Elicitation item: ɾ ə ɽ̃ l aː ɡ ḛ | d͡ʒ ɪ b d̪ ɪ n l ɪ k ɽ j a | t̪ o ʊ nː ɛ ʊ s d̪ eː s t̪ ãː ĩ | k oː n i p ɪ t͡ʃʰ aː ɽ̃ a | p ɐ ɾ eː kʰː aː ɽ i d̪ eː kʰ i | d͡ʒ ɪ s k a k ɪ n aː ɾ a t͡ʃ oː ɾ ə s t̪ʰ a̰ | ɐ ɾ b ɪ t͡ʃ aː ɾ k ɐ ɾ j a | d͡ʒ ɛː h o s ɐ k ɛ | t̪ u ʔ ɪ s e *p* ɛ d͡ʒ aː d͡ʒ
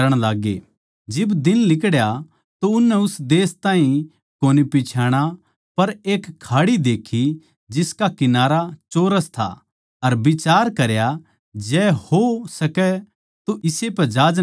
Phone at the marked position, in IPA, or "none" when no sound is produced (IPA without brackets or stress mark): p